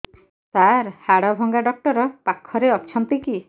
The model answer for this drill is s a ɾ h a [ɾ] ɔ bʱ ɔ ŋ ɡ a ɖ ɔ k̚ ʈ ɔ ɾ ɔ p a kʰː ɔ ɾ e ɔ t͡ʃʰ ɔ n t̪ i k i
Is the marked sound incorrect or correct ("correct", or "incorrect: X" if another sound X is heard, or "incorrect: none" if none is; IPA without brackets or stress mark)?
incorrect: ɽ